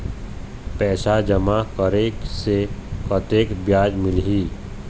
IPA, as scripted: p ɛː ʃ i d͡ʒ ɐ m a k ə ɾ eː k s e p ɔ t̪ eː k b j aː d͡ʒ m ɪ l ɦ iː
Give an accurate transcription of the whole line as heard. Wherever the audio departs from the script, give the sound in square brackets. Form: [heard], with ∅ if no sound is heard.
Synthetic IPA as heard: p ɛː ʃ [a] d͡ʒ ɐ m a k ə ɾ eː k s e [k] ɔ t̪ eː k b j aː d͡ʒ m ɪ l ɦ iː